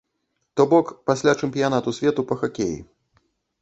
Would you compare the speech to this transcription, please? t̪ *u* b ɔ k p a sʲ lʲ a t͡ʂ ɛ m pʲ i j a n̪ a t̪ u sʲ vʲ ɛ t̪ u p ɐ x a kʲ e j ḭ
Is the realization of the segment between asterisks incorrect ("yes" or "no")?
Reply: yes